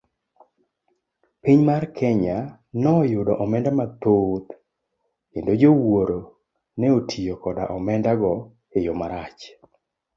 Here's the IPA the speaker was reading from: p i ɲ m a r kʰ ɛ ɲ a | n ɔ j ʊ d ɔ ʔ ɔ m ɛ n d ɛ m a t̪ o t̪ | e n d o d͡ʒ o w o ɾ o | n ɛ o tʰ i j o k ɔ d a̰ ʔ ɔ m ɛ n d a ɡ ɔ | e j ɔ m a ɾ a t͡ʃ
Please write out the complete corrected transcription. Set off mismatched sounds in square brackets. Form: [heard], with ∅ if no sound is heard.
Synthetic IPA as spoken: p i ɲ m a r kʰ ɛ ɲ a | n ɔ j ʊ d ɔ ʔ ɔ m ɛ n d [a] m a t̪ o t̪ | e n d o d͡ʒ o w o ɾ o | n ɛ o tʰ i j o k ɔ d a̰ ʔ ɔ m ɛ n d a ɡ ɔ | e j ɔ m a ɾ a t͡ʃ